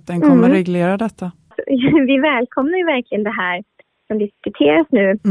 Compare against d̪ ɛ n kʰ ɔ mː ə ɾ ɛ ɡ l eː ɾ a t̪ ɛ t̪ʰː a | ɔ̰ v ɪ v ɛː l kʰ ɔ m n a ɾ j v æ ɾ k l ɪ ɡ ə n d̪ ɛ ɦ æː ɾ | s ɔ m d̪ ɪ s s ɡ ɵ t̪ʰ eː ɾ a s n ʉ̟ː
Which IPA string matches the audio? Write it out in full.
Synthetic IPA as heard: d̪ ɛ n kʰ ɔ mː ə ɾ ɛ ɡ l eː ɾ a d̪ ɛ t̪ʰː a | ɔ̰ v ɪ v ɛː l kʰ ɔ m n a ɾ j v æ ɾ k l ɪ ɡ ə n d̪ ɛ ɦ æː ɾ | s ɔ m d̪ ɪ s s k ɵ t̪ʰ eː ɾ a s n ʉ̟ː